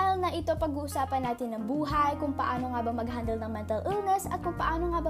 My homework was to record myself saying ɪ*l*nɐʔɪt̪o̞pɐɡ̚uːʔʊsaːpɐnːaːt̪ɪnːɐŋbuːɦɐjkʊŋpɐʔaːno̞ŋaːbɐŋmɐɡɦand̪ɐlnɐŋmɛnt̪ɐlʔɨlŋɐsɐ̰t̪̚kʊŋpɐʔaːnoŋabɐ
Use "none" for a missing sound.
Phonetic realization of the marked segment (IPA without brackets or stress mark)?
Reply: l